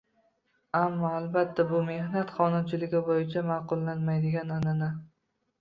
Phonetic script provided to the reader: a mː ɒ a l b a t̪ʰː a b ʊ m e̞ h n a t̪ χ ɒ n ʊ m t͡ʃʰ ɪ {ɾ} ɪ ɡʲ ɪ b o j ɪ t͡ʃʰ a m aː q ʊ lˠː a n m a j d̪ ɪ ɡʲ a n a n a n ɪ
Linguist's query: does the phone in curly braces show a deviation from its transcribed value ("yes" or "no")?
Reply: yes